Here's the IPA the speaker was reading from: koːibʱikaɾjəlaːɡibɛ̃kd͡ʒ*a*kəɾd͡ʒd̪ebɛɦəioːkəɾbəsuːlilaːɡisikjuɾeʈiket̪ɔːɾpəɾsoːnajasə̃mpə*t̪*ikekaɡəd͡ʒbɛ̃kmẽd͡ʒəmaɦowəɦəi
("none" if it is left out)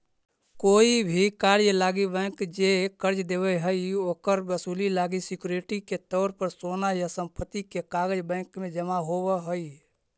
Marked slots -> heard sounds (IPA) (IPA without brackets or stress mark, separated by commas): e, t̪